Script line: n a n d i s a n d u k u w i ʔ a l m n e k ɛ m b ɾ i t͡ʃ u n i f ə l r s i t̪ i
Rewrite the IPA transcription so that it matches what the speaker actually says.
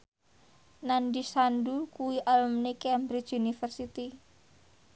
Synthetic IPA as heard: n a n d i s a n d u k u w i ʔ a l m n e k ɛ m b ɾ i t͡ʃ u n i f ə r s i t̪ i